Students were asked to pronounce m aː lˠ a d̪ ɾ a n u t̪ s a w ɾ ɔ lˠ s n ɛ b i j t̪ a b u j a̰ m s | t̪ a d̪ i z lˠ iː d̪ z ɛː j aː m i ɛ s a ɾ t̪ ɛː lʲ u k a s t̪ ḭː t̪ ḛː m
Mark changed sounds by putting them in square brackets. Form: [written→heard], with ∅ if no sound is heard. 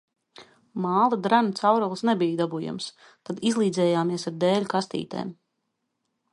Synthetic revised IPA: m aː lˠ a d̪ ɾ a n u t̪ s a w ɾ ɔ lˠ s n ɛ b i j [t̪→d̪] a b u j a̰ m s | t̪ a d̪ i z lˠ iː d̪ z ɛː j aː m i ɛ s a ɾ [t̪→d̪] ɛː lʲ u k a s t̪ ḭː t̪ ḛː m